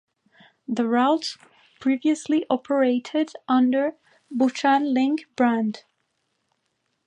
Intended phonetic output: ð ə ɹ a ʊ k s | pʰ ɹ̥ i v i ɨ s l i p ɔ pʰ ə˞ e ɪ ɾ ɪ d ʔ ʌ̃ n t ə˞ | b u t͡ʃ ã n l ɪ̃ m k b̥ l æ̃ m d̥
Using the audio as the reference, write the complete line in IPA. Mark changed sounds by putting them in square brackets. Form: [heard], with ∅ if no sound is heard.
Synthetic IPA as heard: ð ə ɹ a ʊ [t] s | pʰ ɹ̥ i v i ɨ s l i [ʔ] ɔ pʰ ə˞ e ɪ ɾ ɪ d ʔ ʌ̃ n [d] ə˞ | b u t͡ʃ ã n l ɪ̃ [ŋ] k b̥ [ɹ] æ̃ [n] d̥